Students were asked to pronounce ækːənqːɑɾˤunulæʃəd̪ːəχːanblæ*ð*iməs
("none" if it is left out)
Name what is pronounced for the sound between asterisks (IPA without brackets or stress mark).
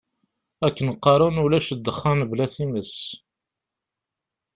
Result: θ